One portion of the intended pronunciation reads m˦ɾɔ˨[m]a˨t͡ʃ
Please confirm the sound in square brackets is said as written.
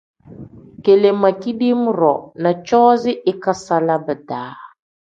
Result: no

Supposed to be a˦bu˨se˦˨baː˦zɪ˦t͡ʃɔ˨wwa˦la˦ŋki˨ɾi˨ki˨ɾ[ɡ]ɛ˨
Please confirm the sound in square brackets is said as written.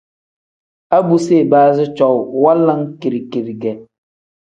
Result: yes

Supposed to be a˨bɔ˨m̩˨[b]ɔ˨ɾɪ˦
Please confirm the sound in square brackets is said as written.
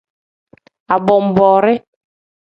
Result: yes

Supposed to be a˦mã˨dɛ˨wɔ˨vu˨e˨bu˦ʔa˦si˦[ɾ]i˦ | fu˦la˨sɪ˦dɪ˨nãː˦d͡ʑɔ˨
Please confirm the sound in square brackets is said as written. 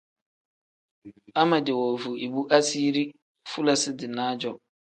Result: yes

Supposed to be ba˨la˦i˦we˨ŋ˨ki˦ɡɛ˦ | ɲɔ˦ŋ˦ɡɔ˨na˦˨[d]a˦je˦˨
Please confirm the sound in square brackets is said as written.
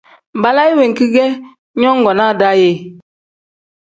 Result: yes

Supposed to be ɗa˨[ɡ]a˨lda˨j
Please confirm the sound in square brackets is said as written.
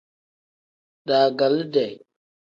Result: yes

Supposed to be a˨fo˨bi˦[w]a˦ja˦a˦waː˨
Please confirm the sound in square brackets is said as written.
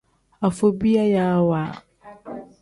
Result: no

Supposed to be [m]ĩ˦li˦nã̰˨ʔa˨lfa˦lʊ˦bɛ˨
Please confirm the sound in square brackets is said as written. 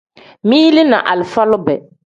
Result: yes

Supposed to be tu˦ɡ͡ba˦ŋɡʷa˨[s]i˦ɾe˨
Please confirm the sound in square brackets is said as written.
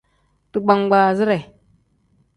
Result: no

